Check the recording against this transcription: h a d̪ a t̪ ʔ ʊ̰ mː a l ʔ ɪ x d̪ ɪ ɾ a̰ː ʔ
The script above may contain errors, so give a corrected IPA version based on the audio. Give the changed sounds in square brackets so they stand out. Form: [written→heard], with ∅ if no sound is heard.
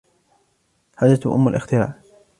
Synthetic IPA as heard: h a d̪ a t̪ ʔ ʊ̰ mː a l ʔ ɪ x [d̪→t̪] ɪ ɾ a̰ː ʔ